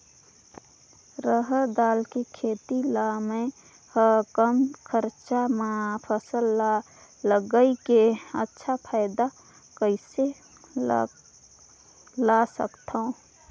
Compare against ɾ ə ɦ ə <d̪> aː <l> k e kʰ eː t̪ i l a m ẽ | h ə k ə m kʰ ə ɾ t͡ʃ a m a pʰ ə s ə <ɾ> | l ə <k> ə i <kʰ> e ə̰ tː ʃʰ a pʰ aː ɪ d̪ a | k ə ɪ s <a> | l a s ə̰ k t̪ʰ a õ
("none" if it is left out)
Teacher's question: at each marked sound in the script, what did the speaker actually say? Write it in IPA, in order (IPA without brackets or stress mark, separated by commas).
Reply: d̪, l, l, ɡ, k, e